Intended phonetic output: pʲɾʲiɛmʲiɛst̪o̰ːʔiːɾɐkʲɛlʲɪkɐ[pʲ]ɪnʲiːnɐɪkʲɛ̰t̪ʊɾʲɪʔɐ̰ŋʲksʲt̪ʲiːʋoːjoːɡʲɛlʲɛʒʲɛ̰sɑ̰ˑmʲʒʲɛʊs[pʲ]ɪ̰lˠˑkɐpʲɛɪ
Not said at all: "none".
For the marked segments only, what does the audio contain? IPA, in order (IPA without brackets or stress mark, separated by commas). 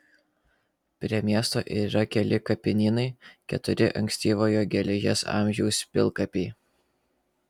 pʲ, pʲ